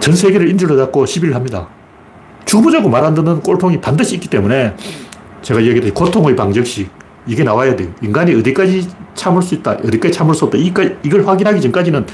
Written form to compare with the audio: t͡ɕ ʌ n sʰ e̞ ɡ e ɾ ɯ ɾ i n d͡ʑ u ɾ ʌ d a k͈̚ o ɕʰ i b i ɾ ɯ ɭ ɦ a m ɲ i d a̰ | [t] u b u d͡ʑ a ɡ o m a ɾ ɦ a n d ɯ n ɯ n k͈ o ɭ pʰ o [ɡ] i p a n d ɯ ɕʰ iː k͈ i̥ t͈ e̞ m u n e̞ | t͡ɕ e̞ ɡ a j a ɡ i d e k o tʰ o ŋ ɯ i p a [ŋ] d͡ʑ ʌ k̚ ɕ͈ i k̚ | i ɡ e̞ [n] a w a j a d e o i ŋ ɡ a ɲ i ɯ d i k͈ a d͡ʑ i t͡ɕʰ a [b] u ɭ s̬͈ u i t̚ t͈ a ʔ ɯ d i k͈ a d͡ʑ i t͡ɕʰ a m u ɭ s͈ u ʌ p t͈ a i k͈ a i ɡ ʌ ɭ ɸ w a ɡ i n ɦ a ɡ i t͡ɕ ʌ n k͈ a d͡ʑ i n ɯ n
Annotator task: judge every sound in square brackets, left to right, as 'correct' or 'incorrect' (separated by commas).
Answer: incorrect, incorrect, correct, correct, incorrect